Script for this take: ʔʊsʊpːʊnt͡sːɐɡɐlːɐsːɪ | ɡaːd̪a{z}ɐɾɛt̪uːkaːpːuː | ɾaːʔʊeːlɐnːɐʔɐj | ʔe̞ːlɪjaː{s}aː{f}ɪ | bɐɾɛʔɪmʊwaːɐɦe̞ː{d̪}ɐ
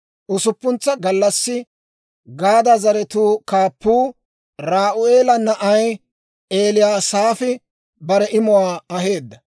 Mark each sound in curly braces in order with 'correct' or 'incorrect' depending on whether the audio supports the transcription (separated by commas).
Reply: correct, correct, correct, incorrect